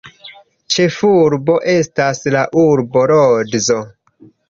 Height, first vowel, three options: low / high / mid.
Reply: mid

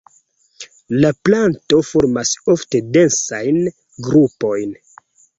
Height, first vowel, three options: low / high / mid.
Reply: low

